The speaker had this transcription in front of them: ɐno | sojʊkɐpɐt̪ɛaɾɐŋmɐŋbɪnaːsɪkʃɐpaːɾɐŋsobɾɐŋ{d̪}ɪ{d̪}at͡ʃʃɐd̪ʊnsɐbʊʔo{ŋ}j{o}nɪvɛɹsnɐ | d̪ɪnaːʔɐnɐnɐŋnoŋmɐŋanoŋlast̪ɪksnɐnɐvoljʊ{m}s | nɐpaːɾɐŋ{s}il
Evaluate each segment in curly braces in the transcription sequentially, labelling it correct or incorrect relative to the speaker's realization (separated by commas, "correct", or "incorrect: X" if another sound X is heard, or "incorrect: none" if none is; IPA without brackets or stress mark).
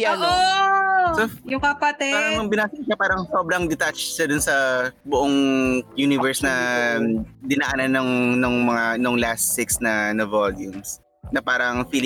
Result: correct, incorrect: t̪, correct, incorrect: u, correct, incorrect: f